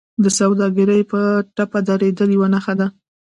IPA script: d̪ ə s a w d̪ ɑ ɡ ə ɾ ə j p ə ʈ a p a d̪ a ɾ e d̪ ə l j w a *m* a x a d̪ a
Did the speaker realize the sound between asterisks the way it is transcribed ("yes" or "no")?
no